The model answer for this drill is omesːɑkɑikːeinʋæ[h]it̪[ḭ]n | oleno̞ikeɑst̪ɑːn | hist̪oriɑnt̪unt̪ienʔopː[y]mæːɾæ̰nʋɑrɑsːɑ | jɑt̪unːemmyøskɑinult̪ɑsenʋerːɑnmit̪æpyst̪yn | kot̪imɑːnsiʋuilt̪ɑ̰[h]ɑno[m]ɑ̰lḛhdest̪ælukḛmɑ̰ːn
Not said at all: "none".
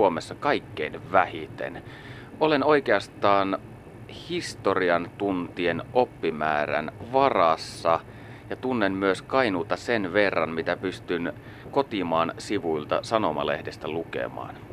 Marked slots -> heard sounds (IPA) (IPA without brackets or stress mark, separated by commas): h, ḛ, i, s, m